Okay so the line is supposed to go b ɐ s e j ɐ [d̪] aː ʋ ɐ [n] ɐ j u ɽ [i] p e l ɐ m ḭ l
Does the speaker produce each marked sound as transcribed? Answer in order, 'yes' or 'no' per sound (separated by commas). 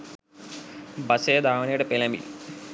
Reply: yes, yes, no